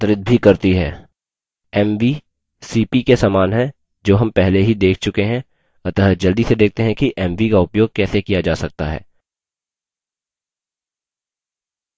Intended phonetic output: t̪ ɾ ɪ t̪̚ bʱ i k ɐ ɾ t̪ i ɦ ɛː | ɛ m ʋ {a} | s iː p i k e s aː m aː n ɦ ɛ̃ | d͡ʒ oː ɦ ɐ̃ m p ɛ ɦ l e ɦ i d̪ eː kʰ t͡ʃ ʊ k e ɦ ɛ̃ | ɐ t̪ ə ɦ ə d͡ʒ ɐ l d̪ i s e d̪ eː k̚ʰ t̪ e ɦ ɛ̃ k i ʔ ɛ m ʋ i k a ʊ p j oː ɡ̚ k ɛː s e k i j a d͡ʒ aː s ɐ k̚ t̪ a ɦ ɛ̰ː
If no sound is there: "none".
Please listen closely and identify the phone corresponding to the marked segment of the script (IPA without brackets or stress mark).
i